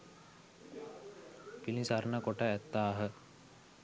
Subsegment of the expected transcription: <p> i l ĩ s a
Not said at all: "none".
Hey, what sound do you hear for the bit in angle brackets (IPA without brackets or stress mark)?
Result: p